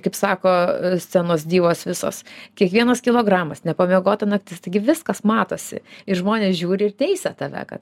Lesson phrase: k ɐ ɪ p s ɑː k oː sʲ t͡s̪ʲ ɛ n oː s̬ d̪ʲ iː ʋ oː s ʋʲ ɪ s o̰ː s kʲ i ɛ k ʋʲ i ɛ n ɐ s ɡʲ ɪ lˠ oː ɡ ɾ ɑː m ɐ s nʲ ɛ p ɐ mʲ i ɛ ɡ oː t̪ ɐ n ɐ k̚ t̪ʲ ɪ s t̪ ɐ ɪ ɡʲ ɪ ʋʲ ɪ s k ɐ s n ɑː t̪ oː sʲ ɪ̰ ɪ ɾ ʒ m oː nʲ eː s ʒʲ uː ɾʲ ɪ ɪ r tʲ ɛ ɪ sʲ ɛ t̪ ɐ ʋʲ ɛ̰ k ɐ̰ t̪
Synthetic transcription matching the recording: k ɐ ɪ p s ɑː k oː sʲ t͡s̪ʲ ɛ n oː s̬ d̪ʲ iː ʋ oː s ʋʲ ɪ s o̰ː s kʲ i ɛ k ʋʲ i ɛ n ɐ s kʲ ɪ lˠ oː ɡ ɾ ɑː m ɐ s nʲ ɛ p ɐ mʲ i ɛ ɡ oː t̪ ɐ n ɐ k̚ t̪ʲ ɪ s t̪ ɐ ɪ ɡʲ ɪ ʋʲ ɪ s k ɐ s m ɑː t̪ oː sʲ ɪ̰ ɪ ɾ ʒ m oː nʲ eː s ʒʲ uː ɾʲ ɪ ɪ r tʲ ɛ ɪ sʲ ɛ t̪ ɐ ʋʲ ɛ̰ k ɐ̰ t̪